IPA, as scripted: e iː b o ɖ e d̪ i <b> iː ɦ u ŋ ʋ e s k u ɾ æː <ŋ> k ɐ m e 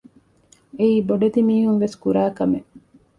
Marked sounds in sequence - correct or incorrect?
incorrect: m, incorrect: none

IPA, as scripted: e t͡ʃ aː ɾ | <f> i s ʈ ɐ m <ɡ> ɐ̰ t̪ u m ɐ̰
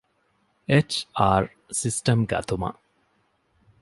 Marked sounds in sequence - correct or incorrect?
incorrect: s, correct

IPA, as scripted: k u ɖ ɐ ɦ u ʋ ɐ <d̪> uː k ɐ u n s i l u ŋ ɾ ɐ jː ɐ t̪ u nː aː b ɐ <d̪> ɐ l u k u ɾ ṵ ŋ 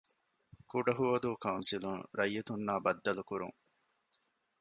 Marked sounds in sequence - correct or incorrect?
correct, incorrect: d̪ː

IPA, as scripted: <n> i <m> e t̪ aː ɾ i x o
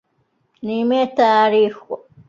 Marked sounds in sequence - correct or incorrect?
correct, correct

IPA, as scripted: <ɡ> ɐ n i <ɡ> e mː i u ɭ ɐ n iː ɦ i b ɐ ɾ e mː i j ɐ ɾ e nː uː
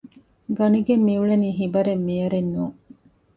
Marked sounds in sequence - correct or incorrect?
correct, correct

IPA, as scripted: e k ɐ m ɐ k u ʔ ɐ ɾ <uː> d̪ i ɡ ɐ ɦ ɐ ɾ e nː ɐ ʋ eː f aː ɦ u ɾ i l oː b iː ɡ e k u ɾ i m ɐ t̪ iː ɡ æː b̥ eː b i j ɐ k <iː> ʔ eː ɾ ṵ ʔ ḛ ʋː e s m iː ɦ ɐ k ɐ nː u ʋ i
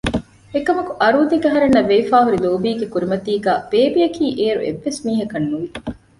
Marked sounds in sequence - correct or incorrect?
correct, correct

